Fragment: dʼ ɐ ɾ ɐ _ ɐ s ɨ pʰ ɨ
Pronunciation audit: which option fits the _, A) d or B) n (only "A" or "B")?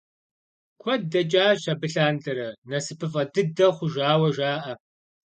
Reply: B